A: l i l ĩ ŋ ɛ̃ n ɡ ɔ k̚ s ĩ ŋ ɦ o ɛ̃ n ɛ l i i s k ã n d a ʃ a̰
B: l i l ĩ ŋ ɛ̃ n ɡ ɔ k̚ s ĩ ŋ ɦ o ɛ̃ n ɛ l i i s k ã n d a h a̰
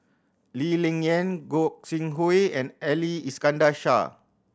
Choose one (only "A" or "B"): A